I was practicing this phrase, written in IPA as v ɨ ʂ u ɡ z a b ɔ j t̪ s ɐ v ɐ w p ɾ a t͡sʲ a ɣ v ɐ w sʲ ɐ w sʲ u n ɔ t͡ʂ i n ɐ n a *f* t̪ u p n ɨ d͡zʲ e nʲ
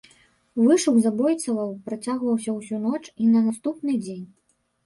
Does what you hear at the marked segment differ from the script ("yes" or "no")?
yes